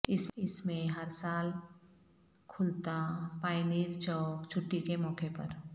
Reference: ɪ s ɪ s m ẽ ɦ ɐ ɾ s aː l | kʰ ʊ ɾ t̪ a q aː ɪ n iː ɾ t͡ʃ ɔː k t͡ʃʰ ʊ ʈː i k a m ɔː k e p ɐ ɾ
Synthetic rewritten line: ɪ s ɪ s m ẽ ɦ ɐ ɾ s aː l | kʰ ʊ l t̪ a p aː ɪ n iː ɾ t͡ʃ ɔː k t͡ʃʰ ʊ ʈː i k e m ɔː k e p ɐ ɾ